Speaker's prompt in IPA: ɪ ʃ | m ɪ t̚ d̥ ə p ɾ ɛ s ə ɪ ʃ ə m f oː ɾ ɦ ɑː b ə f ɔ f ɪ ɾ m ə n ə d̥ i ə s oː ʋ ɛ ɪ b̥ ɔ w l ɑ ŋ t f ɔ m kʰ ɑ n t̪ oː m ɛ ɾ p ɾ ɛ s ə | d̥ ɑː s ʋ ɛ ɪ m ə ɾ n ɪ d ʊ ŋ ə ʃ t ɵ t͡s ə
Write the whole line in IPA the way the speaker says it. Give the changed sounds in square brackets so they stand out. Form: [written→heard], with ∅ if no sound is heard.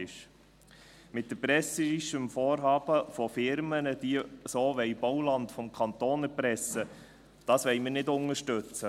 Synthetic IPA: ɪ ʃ | m ɪ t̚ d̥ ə p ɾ ɛ s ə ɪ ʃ ə m f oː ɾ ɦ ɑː b ə f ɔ f ɪ ɾ m ə n ə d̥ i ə s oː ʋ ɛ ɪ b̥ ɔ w l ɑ [ŋ→n] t f ɔ m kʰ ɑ n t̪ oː [m→n] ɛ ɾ p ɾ ɛ s ə | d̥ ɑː s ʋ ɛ ɪ m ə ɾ n ɪ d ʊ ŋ ə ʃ t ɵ t͡s ə

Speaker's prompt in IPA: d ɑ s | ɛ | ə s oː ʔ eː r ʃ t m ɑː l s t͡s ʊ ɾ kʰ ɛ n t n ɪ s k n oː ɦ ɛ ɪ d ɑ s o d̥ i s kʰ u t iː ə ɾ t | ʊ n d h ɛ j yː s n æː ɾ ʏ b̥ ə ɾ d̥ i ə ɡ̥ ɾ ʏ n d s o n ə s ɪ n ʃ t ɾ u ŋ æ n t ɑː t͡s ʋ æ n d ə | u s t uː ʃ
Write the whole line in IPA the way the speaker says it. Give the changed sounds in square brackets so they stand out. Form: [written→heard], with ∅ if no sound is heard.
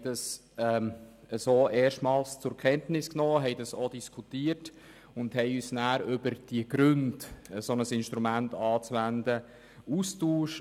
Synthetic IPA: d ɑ s | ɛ | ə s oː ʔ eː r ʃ t m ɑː l s t͡s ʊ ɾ kʰ ɛ n t n ɪ s k n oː ɦ ɛ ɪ d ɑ s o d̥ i s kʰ u t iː ə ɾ t | ʊ n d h ɛ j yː s n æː ɾ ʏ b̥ ə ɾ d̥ i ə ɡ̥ ɾ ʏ n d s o n ə s ɪ n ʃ t ɾ u [ŋ→m] æ n t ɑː t͡s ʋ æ n d ə | u s t uː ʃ

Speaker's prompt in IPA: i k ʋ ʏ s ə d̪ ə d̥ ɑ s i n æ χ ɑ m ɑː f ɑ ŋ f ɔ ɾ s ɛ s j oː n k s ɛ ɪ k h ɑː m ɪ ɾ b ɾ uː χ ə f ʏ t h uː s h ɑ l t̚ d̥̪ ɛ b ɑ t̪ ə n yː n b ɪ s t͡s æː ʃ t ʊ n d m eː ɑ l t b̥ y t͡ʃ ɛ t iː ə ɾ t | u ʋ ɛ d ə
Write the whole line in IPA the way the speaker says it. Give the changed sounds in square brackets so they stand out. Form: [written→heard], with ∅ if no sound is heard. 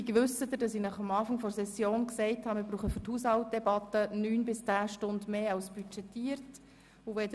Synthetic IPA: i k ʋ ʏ s ə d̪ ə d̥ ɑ s i n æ χ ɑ m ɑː f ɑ ŋ f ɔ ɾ s ɛ s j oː n k s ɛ ɪ [k→t] h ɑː m ɪ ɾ b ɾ uː χ ə f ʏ t h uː s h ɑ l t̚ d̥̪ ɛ b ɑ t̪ ə n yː n b ɪ s t͡s æː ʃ t ʊ n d m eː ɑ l [t→s] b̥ y t͡ʃ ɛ t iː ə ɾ t | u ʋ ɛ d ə

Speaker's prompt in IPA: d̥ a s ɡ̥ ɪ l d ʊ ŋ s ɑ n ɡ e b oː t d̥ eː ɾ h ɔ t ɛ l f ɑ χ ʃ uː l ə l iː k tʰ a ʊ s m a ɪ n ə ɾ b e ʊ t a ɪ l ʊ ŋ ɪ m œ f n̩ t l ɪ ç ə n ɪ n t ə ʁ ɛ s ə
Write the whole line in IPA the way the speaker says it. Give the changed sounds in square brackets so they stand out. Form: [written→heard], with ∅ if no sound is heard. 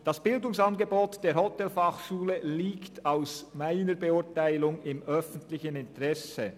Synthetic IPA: d̥ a s [ɡ̥→b̥] ɪ l d ʊ ŋ s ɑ n ɡ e b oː t d̥ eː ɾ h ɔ t ɛ l f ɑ χ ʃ uː l ə l iː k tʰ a ʊ s m a ɪ n ə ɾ b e ʊ t a ɪ l ʊ ŋ ɪ m œ f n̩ t l ɪ ç ə n ɪ n t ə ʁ ɛ s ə

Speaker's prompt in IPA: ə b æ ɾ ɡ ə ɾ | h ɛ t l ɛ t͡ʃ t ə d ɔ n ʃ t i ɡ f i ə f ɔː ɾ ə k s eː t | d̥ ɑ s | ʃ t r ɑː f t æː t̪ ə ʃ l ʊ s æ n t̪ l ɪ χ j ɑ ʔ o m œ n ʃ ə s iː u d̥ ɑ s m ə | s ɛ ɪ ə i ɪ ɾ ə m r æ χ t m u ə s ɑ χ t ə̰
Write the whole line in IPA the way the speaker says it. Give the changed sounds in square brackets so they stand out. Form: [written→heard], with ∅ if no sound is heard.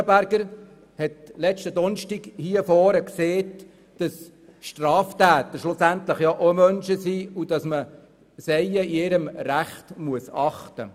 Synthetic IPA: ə b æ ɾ ɡ ə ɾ | h ɛ t l ɛ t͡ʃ t ə d ɔ n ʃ t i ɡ [f→h] i ə f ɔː ɾ ə k s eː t | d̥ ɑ s | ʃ t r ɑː f t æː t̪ ə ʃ l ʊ s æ n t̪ l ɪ χ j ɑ ʔ o m œ n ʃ ə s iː u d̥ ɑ s m ə | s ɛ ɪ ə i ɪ ɾ ə m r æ χ t m u ə s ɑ χ t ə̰

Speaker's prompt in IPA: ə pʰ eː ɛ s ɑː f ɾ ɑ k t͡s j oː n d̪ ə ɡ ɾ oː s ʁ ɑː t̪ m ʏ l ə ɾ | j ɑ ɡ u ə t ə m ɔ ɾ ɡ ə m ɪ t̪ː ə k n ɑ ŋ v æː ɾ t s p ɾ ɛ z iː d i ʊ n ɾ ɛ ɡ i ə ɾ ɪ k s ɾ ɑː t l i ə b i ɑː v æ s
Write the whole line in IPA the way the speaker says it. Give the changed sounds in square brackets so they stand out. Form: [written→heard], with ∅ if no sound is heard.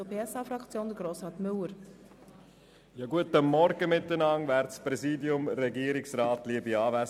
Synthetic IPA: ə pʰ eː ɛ s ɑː f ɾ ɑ k t͡s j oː n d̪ ə ɡ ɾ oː s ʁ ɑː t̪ m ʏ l ə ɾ | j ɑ ɡ u ə t ə m ɔ ɾ ɡ ə m ɪ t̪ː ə [k→∅] n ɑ ŋ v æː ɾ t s p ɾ ɛ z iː d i ʊ [n→m] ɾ ɛ ɡ i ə ɾ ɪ k s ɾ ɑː t l i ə b i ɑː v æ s

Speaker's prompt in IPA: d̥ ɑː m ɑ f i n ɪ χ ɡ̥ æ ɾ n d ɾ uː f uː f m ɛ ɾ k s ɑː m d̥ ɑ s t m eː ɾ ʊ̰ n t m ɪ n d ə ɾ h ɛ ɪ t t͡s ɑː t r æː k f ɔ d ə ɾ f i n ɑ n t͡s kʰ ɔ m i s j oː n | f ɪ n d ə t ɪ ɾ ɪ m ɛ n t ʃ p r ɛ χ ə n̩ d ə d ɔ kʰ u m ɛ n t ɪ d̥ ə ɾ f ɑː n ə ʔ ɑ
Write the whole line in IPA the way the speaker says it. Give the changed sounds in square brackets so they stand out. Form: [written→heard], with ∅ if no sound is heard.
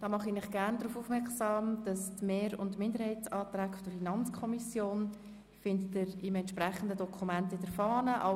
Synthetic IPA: d̥ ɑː m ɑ [f→χ] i n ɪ χ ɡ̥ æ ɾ n d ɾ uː f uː f m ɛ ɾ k s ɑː m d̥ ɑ s t m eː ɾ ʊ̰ n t m ɪ n d ə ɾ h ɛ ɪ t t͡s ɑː t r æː k f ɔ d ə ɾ f i n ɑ n t͡s kʰ ɔ m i s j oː n | f ɪ n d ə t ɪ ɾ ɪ m ɛ n t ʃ p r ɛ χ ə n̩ d ə d ɔ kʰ u m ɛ n t ɪ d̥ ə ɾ f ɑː n ə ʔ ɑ

